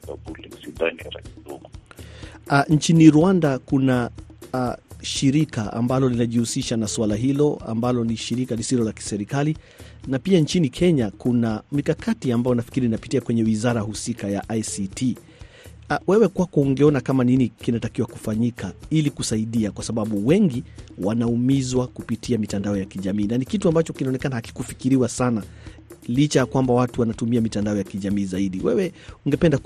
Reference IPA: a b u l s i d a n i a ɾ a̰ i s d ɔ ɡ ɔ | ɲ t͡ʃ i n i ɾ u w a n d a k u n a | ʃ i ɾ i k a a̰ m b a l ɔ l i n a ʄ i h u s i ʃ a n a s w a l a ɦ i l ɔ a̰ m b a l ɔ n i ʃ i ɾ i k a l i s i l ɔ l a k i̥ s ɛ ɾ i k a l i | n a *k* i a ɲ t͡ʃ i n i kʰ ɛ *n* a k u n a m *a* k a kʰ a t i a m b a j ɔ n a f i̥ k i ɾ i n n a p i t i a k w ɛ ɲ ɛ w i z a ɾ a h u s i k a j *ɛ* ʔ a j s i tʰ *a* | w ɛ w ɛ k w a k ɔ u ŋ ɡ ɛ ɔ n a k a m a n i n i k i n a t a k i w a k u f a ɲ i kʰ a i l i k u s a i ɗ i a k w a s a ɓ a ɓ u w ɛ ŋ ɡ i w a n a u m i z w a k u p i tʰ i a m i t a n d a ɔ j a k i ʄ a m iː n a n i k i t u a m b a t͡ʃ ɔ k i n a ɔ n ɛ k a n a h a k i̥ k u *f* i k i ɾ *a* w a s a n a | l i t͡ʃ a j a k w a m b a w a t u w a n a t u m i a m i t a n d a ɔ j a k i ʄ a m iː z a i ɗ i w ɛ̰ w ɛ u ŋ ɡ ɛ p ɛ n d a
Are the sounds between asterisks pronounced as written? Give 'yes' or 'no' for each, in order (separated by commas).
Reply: no, no, no, no, no, yes, no